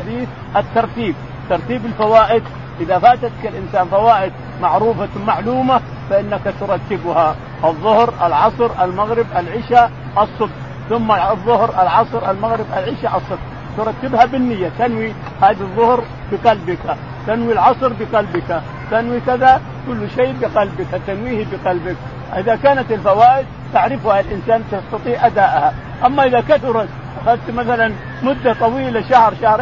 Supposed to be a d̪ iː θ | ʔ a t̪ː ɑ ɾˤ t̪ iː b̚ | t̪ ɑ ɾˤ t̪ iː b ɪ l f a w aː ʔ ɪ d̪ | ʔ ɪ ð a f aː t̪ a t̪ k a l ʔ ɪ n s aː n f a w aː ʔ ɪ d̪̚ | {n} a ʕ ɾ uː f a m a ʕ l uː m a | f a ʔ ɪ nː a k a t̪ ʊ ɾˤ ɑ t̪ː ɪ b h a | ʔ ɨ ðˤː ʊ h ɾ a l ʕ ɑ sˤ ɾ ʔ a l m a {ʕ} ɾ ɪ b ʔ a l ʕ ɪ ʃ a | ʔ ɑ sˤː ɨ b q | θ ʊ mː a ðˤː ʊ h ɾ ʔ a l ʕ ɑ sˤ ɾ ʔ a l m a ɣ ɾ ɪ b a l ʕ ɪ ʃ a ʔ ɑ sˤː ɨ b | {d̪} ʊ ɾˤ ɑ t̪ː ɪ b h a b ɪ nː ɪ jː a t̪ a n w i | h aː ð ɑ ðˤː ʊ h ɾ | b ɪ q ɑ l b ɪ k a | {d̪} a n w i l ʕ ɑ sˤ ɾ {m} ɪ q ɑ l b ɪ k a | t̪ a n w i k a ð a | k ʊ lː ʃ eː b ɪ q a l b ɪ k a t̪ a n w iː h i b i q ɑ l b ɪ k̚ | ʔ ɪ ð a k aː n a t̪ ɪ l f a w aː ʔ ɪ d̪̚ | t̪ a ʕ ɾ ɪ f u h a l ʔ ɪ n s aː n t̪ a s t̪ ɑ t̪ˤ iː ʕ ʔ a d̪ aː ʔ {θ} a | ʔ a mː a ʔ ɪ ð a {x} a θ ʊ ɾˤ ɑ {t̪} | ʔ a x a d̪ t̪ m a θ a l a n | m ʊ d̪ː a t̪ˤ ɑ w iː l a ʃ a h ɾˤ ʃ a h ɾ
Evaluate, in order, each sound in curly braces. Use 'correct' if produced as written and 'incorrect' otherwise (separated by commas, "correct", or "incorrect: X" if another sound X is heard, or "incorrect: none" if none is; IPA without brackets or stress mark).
incorrect: m, incorrect: ɣ, incorrect: t̪, incorrect: t̪, incorrect: b, incorrect: h, incorrect: k, correct